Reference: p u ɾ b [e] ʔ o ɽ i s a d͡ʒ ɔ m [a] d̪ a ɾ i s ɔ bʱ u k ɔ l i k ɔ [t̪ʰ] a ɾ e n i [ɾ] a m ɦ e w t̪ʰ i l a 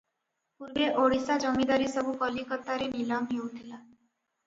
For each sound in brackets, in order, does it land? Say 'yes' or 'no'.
yes, no, no, no

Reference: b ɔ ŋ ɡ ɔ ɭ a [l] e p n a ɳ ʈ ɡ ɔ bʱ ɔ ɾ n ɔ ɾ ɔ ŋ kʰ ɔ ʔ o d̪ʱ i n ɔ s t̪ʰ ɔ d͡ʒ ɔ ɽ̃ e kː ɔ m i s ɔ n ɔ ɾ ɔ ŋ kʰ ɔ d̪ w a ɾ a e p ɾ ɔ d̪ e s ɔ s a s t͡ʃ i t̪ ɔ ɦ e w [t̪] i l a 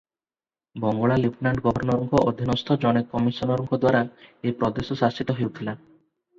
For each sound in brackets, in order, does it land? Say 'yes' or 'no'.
yes, no

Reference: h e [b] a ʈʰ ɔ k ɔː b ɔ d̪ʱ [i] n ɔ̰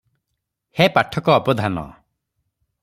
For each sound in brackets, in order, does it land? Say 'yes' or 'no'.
no, no

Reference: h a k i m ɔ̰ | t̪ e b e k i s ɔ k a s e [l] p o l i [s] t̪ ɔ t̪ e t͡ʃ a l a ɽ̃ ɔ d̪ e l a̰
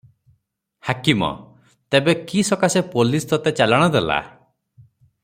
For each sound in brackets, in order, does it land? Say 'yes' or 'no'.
no, yes

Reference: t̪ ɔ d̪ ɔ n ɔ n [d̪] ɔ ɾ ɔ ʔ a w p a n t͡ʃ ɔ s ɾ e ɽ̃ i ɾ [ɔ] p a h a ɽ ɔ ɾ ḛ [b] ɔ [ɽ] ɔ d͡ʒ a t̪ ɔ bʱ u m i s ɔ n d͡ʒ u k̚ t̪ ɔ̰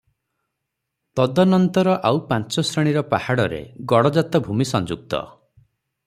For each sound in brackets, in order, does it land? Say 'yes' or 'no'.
no, yes, no, yes

